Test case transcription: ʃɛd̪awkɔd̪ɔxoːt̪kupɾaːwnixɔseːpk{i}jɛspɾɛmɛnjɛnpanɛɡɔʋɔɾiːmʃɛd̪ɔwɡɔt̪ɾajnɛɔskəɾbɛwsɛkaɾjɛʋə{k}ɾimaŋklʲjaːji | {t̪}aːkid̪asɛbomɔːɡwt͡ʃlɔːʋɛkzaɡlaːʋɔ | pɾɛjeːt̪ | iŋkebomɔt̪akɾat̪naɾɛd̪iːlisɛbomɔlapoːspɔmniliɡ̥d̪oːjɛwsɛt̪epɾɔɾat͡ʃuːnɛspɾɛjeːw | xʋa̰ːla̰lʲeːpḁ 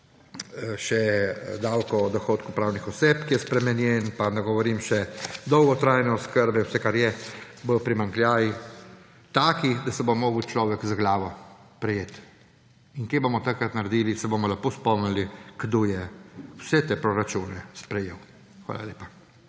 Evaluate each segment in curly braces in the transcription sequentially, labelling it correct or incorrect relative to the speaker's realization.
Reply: correct, incorrect: p, correct

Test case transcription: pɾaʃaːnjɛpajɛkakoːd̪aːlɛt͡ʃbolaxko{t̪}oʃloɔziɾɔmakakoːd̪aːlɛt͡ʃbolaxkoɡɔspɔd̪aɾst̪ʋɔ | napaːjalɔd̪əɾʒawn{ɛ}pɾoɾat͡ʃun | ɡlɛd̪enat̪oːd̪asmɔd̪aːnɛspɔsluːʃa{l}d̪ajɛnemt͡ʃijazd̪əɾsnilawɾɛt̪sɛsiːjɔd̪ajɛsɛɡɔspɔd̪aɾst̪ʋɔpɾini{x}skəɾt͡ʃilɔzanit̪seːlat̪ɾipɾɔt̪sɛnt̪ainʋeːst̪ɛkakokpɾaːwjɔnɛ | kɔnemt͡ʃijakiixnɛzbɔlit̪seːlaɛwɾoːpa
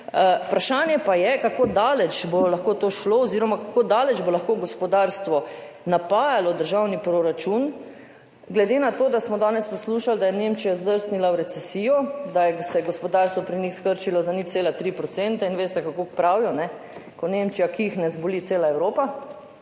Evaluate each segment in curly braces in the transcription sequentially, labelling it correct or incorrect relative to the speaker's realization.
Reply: correct, incorrect: i, correct, correct

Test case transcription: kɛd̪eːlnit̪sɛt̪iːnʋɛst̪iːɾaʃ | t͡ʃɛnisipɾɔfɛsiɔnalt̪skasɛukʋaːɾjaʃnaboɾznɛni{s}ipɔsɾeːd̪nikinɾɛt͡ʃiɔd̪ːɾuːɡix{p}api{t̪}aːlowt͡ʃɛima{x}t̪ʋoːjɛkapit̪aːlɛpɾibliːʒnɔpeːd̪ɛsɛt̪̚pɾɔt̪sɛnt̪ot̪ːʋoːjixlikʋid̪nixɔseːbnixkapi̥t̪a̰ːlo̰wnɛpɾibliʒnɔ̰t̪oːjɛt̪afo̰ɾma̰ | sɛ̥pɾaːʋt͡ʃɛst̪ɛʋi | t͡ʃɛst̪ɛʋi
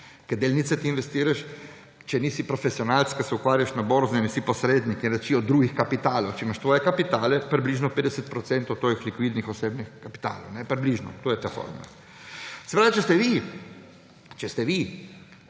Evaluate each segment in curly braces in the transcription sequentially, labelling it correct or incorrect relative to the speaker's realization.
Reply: correct, incorrect: k, correct, incorrect: ʃ

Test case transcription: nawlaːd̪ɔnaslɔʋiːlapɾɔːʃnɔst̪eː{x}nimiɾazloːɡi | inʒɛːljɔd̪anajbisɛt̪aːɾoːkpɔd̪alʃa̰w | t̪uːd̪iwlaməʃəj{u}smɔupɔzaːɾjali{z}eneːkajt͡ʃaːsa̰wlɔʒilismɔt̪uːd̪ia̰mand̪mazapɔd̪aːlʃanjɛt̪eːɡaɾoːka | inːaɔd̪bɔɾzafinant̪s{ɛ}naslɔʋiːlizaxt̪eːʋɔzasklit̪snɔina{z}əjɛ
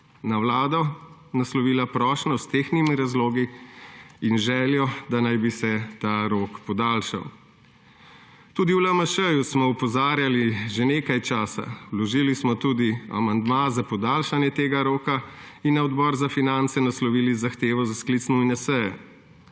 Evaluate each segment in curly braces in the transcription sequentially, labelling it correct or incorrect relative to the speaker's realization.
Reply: correct, correct, incorrect: ʒ, correct, incorrect: s

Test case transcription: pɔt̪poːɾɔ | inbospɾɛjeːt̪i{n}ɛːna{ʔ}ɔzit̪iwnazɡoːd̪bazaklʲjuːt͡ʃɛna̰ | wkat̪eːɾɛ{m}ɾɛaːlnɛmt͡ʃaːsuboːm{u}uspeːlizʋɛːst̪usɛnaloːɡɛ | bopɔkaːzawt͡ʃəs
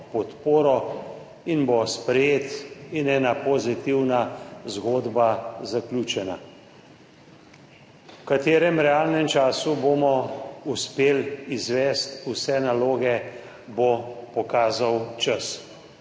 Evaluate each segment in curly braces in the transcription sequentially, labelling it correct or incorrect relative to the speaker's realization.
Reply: correct, incorrect: p, correct, incorrect: ɔ

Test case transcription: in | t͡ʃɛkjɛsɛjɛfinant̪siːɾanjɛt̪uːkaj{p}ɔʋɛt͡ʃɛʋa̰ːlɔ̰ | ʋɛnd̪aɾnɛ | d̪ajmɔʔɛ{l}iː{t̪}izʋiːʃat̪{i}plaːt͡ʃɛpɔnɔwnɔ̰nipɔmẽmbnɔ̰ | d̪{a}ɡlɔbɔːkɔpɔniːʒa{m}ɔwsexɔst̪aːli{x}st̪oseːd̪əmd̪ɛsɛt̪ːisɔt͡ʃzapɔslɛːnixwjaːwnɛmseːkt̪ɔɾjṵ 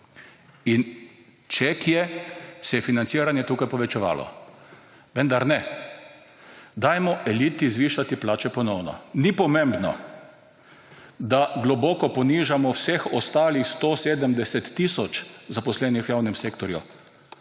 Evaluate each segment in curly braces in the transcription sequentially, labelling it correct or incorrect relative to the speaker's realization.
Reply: correct, correct, correct, correct, correct, correct, correct

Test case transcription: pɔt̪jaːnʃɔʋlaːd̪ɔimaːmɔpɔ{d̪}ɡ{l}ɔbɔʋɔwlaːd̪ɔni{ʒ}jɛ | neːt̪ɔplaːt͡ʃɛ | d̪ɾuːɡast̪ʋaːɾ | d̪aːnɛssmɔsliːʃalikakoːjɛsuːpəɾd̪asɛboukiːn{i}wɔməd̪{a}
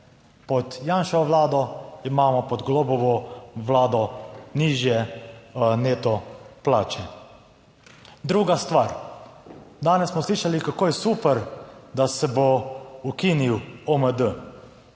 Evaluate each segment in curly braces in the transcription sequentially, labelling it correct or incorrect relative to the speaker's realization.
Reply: correct, correct, correct, correct, incorrect: ə

